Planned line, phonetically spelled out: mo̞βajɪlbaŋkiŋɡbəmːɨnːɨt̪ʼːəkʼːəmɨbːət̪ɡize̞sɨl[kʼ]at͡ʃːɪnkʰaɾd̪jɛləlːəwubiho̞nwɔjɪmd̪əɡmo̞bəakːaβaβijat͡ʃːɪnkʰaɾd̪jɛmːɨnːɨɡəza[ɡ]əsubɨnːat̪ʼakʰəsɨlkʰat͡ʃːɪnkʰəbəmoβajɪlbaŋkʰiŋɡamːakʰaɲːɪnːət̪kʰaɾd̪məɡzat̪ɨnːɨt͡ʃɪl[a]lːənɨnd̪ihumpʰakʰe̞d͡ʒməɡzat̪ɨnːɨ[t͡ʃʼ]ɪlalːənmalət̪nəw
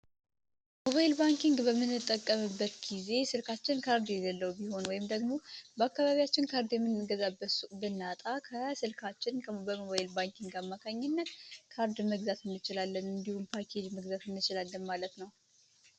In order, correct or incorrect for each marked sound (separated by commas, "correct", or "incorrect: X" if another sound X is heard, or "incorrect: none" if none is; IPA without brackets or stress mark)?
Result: incorrect: k, incorrect: b, correct, incorrect: t͡ʃ